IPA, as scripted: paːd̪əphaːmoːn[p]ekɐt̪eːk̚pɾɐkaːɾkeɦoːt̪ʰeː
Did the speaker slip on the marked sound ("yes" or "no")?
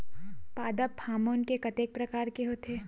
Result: yes